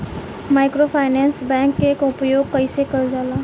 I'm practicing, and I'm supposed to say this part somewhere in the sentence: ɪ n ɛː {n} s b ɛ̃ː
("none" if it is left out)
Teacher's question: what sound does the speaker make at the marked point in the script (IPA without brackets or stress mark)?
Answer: n